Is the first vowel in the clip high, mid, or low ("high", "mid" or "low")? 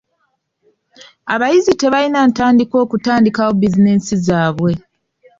low